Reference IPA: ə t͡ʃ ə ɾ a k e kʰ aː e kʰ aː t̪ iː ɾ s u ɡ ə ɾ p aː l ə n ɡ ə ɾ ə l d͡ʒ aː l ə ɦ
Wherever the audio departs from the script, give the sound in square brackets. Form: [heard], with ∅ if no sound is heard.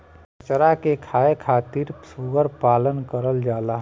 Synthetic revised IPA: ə t͡ʃ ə ɾ a k e kʰ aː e kʰ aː t̪ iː ɾ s u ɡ ə ɾ p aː l ə n [k] ə ɾ ə l d͡ʒ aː l [a] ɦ